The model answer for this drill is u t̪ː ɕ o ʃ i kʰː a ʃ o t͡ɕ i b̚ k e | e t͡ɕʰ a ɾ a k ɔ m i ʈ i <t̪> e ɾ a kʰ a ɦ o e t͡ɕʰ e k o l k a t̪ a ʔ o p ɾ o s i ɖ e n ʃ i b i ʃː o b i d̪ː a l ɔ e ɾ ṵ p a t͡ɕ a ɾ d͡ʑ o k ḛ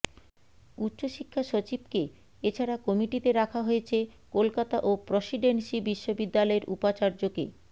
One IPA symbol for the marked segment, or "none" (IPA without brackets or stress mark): t̪